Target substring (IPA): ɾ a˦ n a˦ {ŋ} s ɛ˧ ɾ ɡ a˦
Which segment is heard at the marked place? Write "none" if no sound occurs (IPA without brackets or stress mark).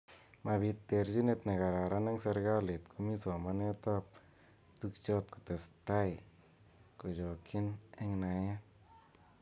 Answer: ŋ